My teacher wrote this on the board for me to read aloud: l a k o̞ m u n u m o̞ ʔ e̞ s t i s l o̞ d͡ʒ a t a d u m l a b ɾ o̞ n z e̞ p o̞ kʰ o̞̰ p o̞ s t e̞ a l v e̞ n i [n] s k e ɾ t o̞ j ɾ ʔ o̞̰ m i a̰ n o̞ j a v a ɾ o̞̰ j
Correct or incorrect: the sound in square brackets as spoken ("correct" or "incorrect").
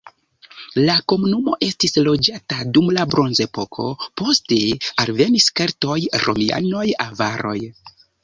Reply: incorrect